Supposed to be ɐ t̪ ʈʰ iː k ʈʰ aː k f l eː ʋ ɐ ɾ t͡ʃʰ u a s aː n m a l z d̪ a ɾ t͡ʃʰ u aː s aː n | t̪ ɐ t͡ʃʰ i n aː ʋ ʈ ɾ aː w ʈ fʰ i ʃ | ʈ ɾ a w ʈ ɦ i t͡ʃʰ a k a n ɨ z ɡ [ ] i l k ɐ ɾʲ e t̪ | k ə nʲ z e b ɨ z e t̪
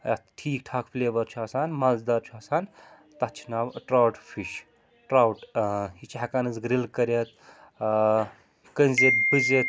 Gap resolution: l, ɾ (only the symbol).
ɾ